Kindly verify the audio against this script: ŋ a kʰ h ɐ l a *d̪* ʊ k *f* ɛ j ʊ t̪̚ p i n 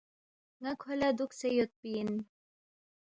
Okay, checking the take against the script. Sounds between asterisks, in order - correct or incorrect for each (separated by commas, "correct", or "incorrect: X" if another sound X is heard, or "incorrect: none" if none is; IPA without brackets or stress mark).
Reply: correct, incorrect: s